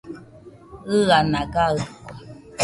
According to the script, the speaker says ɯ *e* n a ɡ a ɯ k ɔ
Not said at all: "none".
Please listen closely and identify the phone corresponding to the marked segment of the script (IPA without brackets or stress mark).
a